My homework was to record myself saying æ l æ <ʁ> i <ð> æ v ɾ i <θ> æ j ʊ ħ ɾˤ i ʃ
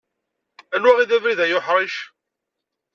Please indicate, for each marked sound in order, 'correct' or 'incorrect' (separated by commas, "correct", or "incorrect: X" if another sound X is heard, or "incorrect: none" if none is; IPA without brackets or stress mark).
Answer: correct, correct, incorrect: ð